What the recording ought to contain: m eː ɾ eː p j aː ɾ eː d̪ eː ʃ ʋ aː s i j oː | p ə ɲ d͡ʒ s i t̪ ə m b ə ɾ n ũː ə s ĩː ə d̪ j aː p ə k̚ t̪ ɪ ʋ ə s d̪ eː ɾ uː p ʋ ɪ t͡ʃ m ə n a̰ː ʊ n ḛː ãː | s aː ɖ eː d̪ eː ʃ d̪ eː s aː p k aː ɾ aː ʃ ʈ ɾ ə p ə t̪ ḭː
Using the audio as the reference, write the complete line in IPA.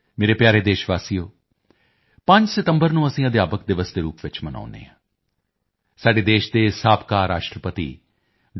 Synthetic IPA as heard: m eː ɾ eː p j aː ɾ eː d̪ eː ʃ ʋ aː s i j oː | p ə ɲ d͡ʒ s ɪ t̪ ə m b ə ɾ n ũː ə s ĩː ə d̪ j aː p ə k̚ d̪ ɪ ʋ ə s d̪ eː ɾ uː p ʋ ɪ t͡ʃ m ə n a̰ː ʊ n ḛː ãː | s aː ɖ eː d̪ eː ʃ d̪ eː s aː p k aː ɾ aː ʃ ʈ ɾ ə p ə t̪ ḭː